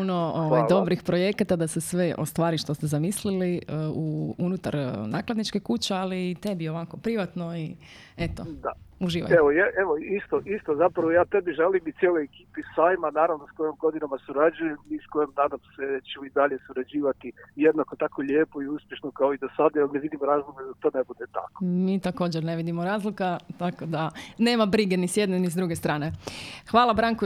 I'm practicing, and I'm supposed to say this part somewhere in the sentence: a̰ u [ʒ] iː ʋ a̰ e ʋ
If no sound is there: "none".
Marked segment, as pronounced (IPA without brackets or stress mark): ʒ